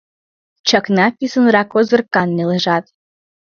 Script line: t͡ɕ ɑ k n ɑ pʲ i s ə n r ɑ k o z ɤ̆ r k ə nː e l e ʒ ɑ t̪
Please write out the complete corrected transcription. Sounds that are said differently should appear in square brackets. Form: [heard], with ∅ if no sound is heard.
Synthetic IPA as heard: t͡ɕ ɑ k n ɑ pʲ i s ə n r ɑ k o z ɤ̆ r k [ɑ] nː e l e ʒ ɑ t̪